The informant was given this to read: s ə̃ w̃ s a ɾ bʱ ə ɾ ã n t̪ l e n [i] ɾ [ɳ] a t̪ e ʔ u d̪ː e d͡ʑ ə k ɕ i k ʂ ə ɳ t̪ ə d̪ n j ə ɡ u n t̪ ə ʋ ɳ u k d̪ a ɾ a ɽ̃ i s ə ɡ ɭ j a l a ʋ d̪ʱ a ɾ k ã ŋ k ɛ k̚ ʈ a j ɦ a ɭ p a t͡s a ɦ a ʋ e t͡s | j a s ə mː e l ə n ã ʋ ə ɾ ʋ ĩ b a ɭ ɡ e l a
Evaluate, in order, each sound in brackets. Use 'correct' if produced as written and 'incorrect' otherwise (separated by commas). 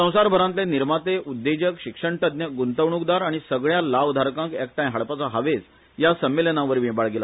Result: correct, incorrect